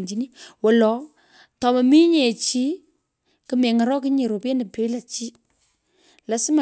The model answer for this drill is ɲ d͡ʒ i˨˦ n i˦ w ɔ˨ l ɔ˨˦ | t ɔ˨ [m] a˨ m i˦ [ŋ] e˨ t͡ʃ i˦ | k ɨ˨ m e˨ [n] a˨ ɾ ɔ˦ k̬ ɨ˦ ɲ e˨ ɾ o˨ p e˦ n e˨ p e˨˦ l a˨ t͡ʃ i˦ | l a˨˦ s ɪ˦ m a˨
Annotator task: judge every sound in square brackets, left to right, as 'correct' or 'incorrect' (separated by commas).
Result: correct, incorrect, incorrect